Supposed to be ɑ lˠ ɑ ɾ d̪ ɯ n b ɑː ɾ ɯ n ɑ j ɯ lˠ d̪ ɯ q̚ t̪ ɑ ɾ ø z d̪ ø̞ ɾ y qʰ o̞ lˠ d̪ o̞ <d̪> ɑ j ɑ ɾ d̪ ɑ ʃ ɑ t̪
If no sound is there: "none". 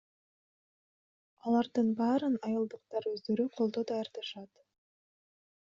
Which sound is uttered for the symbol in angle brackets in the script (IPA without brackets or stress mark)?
d̪